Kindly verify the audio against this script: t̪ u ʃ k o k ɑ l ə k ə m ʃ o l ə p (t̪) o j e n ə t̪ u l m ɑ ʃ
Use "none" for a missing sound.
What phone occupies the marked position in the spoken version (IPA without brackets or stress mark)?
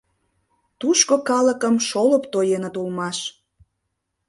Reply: t̪